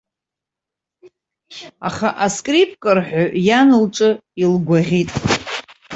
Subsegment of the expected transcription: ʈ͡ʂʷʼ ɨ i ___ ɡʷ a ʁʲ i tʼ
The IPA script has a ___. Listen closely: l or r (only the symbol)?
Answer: l